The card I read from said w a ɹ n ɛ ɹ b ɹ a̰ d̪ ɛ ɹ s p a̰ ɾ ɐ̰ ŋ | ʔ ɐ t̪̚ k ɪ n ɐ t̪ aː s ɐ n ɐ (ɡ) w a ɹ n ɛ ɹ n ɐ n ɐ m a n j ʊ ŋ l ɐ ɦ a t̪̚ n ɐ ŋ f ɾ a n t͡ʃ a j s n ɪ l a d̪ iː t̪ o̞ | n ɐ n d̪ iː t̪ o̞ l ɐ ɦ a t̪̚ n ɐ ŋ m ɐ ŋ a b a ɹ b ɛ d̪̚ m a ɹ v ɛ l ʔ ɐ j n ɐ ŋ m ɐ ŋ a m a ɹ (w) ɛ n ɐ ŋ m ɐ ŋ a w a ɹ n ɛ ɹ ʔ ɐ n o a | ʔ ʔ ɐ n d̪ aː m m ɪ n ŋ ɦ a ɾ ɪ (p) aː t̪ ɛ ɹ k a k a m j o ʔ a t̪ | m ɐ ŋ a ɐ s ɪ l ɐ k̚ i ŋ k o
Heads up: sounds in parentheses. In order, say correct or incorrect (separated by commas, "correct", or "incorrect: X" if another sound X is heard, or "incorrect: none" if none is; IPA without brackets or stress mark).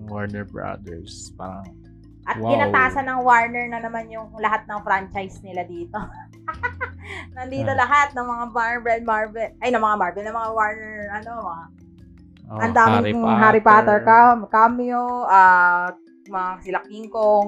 incorrect: ŋ, incorrect: b, correct